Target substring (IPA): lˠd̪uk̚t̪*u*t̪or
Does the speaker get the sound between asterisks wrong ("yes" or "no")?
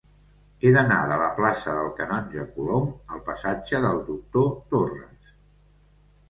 yes